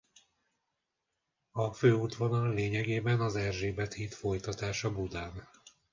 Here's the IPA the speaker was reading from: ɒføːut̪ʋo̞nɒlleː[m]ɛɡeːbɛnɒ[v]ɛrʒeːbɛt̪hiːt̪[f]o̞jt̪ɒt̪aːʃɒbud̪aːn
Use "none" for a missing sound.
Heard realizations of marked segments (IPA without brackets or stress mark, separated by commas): ɲ, z, f